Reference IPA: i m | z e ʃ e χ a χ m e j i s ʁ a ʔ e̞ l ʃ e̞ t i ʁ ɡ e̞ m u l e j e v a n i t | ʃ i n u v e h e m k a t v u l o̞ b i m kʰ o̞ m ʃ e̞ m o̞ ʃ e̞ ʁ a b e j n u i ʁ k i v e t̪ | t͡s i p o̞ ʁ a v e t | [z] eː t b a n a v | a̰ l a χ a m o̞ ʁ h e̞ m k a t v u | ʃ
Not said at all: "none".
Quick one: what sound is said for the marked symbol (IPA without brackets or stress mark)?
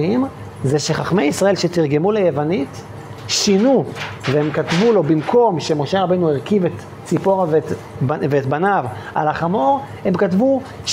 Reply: v